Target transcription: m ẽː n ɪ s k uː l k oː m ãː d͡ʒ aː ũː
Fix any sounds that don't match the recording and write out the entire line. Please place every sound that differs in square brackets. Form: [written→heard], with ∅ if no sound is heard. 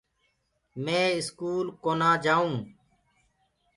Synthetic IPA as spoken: m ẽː [n→∅] ɪ s k uː l k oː [m→n] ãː d͡ʒ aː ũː